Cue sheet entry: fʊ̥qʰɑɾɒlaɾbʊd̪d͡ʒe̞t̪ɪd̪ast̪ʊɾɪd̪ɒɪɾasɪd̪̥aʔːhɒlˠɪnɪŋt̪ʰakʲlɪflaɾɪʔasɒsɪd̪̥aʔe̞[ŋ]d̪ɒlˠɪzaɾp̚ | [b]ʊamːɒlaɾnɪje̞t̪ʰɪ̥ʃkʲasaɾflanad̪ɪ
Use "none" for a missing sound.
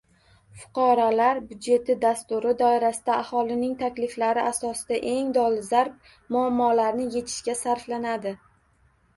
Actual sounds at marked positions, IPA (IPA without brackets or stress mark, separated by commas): ŋ, m